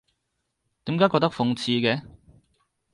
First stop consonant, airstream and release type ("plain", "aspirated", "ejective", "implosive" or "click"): plain